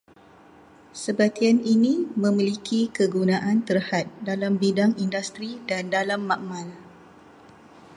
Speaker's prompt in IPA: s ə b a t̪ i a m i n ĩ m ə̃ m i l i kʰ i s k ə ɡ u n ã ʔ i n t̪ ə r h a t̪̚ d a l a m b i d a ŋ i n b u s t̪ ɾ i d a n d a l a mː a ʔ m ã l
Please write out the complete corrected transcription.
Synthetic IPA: s ə b a t̪ i a n i n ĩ m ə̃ m i l i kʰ i k ə ɡ u n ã ʔ a n t̪ ə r h a t̪̚ d a l a m b i d a ŋ i n d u s t̪ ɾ i d a n d a l a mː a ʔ m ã l